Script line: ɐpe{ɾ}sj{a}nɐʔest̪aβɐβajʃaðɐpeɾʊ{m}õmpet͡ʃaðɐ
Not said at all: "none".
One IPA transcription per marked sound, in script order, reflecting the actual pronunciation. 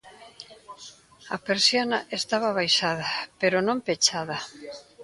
ɾ, a, n

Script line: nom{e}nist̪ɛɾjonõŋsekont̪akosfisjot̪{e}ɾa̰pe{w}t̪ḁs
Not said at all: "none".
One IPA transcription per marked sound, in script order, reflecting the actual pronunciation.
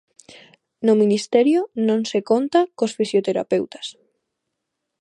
i, e, w

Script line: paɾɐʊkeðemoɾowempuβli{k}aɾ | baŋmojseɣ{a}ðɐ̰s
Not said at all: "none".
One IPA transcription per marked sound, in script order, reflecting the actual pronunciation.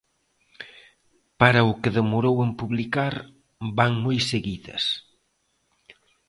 k, i

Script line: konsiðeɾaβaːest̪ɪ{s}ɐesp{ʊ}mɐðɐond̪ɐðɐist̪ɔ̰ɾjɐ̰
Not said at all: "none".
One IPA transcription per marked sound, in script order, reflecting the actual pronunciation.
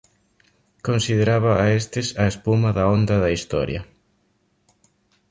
s, u

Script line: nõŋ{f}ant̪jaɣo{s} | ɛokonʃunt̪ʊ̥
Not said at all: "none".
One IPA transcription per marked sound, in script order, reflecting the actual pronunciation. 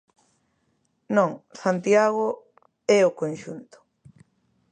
s, none

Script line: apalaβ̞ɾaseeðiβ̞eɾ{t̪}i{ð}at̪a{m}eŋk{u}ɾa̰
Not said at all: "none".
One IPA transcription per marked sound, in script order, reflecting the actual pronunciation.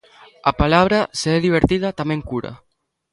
t̪, ð, m, u

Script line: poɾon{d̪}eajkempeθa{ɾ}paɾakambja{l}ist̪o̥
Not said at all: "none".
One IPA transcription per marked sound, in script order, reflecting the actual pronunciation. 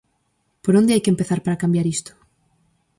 d̪, ɾ, ɾ

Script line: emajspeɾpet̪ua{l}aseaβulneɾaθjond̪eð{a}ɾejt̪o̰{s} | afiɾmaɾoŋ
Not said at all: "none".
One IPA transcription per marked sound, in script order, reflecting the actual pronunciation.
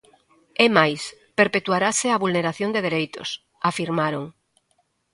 ɾ, e, s

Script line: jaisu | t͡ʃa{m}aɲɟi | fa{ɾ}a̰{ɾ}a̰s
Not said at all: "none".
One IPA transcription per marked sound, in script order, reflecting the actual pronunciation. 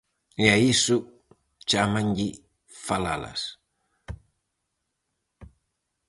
m, l, l

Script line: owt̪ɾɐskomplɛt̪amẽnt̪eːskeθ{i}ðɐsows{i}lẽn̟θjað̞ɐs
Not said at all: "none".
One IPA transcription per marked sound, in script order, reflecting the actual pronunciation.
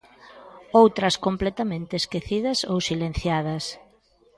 i, i

